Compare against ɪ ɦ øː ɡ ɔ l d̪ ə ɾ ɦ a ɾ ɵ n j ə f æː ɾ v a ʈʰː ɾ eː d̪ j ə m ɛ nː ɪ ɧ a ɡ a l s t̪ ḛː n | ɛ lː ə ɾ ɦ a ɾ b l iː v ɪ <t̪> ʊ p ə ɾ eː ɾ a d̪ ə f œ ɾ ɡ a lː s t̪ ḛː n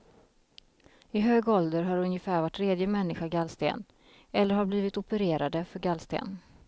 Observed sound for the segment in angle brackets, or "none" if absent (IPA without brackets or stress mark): t̪